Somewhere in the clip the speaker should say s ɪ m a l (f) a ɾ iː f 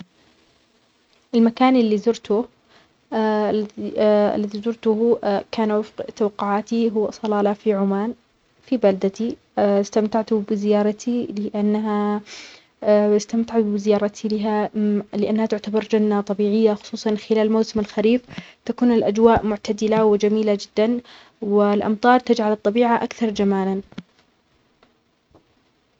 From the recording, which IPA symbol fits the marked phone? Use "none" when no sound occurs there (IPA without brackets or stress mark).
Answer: x